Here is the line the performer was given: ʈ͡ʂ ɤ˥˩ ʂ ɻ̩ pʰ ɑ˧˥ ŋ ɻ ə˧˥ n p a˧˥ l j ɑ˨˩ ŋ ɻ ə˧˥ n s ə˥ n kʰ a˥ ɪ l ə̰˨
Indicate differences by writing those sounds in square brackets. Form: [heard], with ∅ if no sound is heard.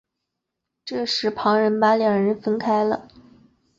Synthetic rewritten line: ʈ͡ʂ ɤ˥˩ ʂ ɻ̩ pʰ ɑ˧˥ ŋ ɻ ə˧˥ n p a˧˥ l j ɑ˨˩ ŋ ɻ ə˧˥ n [f] ə˥ n kʰ a˥ ɪ l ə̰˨